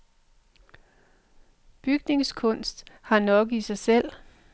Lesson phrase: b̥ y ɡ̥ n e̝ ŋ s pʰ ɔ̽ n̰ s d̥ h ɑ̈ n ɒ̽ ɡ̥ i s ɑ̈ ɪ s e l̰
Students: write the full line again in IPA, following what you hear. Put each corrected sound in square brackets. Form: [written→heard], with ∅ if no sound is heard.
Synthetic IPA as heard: b̥ y ɡ̥ n e̝ ŋ s [pʰ→kʰ] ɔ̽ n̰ s d̥ h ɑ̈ n ɒ̽ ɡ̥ i s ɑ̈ ɪ s e l̰